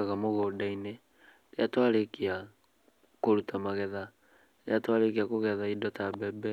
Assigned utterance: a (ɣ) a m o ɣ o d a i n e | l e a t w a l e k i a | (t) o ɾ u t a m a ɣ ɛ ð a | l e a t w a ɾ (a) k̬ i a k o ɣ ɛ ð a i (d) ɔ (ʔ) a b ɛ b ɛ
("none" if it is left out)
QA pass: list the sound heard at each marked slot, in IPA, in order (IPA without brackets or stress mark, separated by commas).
ɣ, k, e, d, t